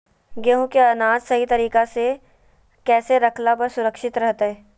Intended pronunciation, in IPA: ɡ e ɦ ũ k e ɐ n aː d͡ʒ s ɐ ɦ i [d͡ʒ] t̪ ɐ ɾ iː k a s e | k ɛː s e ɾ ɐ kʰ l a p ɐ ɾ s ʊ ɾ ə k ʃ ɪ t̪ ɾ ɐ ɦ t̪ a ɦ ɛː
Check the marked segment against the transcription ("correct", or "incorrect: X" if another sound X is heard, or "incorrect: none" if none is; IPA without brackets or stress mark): incorrect: none